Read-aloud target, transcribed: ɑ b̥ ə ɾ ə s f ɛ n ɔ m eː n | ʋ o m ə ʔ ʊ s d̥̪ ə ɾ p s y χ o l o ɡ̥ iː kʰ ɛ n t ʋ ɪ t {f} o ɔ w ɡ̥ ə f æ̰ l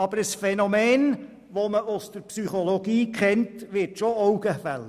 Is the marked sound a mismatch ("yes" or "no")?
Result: yes